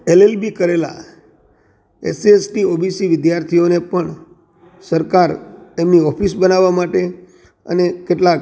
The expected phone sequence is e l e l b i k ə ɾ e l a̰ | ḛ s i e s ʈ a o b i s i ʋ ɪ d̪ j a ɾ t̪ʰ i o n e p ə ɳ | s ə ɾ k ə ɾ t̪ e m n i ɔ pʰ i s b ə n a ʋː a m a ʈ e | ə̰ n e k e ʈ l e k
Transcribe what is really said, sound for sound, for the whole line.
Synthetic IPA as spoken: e l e l b i k ə ɾ e l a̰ | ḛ s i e s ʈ i o b i s i ʋ ɪ d̪ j a ɾ t̪ʰ i o n e p ə ɳ | s ə ɾ k a ɾ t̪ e m n i ɔ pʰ i s b ə n a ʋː a m a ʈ e | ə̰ n e k e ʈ l a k